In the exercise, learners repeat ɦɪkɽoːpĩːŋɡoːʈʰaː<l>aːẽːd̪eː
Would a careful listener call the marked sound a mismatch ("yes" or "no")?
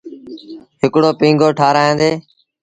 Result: yes